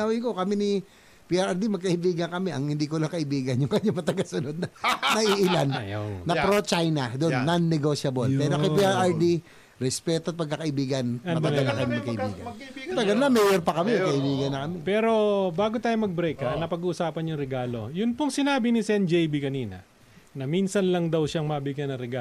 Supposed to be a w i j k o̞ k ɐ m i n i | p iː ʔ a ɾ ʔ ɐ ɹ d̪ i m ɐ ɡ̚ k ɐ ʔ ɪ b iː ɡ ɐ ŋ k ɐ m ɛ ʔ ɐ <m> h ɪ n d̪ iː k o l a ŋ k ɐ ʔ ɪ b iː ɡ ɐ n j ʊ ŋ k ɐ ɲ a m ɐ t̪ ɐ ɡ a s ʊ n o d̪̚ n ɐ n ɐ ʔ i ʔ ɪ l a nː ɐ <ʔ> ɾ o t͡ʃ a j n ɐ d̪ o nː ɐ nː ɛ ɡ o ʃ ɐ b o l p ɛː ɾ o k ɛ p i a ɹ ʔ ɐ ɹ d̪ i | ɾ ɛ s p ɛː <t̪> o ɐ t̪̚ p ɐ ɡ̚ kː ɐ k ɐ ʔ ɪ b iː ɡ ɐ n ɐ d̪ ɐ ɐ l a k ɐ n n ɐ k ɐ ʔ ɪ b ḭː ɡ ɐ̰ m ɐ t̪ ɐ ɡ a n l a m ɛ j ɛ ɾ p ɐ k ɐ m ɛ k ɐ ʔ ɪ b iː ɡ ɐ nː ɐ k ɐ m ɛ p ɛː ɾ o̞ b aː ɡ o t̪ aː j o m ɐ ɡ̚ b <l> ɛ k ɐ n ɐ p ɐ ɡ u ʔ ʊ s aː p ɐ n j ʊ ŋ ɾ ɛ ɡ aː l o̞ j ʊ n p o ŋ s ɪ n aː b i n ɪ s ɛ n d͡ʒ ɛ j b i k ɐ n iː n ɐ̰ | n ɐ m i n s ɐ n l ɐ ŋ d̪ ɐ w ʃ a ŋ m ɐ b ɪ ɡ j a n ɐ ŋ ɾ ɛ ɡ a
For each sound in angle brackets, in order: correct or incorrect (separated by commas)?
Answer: incorrect, incorrect, correct, incorrect